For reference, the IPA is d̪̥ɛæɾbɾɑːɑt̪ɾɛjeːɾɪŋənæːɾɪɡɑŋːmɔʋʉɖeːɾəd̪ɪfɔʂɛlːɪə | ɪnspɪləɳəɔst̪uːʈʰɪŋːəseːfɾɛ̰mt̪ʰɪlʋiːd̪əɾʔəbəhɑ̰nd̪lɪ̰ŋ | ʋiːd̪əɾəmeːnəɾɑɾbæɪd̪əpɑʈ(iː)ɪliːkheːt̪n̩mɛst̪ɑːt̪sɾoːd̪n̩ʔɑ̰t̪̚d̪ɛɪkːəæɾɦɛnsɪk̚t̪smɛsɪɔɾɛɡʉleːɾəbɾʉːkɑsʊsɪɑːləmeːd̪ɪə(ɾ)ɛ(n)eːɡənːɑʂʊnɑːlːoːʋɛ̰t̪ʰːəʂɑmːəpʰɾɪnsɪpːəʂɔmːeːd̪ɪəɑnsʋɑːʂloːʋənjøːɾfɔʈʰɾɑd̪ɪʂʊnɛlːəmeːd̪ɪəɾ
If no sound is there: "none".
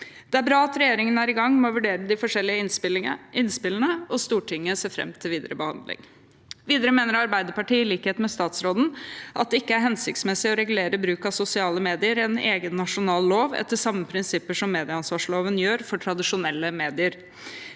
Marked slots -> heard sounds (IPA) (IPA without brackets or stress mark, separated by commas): iː, ɾ, n